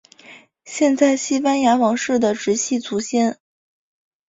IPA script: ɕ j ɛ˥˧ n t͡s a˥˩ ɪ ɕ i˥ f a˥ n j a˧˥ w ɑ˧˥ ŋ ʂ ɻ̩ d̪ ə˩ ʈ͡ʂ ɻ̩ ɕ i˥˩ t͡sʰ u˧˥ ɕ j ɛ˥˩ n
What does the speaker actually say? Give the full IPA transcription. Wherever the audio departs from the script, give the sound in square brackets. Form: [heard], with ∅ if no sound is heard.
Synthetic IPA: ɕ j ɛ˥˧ n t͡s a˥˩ ɪ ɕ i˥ f a˥ n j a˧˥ w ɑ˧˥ ŋ ʂ ɻ̩ d̪ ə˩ ʈ͡ʂ ɻ̩ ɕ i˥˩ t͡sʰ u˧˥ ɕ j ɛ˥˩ n